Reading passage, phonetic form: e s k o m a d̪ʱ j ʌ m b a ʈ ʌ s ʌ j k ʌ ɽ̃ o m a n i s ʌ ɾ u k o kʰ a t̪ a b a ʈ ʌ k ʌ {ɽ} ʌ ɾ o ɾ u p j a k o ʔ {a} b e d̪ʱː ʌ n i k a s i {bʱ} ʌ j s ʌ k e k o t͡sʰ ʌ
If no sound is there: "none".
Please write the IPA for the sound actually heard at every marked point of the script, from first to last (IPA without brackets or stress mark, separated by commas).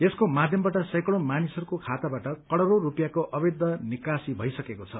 ɽ, ʌ, bʱ